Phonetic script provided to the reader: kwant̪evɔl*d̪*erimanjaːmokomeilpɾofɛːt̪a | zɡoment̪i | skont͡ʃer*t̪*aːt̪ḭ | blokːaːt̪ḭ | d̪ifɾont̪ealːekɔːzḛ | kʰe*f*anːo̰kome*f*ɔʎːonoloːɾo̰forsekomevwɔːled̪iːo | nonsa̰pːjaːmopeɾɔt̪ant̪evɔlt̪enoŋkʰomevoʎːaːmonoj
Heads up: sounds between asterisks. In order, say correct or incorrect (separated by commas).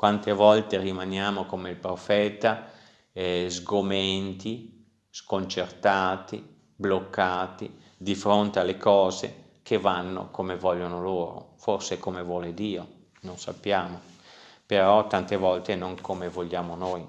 incorrect, correct, incorrect, incorrect